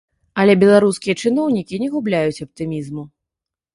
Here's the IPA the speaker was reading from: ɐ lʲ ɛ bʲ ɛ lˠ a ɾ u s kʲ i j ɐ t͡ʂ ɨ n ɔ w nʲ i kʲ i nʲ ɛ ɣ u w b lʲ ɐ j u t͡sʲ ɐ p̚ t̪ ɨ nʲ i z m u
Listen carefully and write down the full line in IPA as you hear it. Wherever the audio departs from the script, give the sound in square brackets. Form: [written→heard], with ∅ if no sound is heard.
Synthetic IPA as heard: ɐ lʲ ɛ bʲ ɛ lˠ a ɾ u s kʲ i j ɐ t͡ʂ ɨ n ɔ w nʲ i kʲ i nʲ ɛ ɣ u [w→∅] b lʲ [ɐ→a] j u t͡sʲ ɐ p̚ t̪ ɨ [nʲ→mʲ] i z m u